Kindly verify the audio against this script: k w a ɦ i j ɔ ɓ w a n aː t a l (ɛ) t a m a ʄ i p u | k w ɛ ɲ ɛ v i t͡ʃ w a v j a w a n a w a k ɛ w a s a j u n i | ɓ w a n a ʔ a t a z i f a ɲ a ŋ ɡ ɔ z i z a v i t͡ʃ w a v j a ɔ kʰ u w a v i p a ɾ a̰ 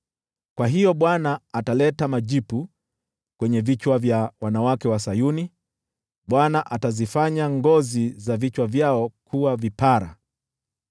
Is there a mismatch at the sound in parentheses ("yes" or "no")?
no